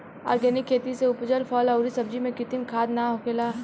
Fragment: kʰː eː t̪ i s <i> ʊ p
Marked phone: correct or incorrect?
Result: incorrect